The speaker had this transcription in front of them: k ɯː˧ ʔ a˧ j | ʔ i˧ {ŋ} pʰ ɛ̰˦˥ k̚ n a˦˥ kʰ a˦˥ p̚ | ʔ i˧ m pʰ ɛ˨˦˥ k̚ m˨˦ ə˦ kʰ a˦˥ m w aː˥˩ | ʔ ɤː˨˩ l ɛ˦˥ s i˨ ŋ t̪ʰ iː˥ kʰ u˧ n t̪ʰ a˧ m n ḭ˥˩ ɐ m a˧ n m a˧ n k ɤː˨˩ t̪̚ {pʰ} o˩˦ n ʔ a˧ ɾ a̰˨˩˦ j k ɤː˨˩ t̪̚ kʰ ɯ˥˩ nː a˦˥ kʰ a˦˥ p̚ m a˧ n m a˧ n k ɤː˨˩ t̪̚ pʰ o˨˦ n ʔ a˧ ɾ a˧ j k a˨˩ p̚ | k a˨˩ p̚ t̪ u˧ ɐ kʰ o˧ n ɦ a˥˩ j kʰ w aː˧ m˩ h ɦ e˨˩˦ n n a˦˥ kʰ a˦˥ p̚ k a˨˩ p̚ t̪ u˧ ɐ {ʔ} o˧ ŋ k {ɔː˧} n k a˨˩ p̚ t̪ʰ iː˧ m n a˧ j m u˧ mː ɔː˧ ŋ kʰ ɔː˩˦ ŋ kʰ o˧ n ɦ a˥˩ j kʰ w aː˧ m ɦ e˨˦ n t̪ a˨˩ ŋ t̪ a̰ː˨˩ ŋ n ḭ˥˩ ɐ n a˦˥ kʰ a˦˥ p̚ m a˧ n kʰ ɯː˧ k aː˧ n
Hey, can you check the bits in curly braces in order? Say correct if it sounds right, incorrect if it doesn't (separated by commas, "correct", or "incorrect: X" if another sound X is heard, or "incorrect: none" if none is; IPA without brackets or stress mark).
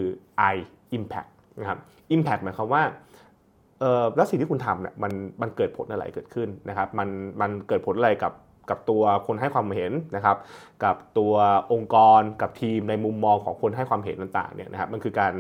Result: incorrect: m, correct, correct, correct